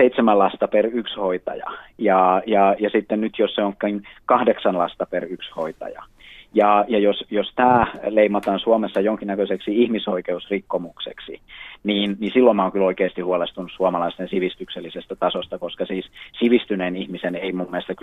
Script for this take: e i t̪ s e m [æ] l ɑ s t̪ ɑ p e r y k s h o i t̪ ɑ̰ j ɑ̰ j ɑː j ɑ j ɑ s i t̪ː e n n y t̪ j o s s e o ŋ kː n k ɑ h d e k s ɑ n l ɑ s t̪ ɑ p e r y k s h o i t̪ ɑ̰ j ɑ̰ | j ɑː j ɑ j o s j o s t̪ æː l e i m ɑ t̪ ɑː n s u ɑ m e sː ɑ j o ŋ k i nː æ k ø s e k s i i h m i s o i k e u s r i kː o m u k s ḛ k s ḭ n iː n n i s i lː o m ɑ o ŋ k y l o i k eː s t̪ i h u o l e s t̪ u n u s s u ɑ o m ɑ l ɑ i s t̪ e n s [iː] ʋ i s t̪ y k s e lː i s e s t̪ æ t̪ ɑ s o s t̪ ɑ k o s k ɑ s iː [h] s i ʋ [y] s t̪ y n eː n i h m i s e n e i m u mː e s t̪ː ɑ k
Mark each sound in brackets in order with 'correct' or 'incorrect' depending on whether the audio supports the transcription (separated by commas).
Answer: correct, incorrect, incorrect, incorrect